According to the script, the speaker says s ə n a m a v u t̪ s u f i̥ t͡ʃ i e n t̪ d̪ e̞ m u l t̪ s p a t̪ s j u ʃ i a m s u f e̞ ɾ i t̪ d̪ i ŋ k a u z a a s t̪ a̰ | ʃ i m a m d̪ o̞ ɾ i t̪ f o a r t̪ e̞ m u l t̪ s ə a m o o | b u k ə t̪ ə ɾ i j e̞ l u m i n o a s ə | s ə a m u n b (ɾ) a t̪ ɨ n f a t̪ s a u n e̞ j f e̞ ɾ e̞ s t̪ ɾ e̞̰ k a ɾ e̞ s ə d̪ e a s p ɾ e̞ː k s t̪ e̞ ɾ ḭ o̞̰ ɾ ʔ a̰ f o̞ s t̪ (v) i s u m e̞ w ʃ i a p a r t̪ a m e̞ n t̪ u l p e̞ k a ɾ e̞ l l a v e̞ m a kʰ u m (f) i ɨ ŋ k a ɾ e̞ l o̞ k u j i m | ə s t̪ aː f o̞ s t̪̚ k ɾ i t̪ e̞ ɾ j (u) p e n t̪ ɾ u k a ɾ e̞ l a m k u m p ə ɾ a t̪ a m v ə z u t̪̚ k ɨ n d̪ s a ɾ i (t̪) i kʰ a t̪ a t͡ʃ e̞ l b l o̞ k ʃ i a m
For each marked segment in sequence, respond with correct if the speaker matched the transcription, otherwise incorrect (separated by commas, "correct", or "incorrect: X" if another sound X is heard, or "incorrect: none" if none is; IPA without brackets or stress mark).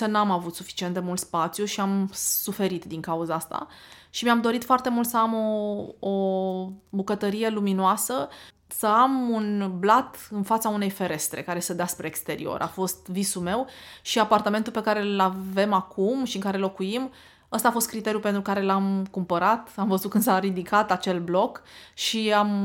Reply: incorrect: l, correct, incorrect: ʃ, correct, incorrect: d̪